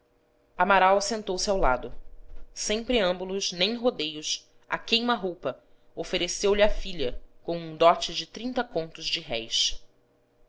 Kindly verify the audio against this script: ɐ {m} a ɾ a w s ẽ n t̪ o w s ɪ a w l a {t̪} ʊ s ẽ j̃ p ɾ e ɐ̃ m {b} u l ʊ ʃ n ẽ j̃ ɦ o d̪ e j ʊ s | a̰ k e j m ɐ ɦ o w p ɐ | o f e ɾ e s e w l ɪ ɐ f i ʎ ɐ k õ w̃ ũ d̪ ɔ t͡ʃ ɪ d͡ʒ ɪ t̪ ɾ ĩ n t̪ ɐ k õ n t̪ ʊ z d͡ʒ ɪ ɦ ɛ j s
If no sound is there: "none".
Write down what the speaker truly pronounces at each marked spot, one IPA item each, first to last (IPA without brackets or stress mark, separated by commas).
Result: m, d̪, b